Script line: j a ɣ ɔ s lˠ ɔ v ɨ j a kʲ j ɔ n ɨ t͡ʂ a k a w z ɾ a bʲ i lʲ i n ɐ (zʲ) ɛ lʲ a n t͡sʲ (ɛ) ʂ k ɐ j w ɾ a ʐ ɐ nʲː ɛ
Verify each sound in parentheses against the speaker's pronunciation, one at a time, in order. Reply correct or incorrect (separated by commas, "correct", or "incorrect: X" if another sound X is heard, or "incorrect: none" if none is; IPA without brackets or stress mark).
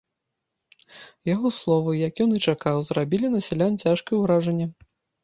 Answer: incorrect: sʲ, incorrect: a